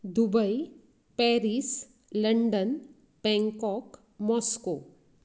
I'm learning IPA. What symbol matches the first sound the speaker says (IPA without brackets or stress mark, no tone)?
d̪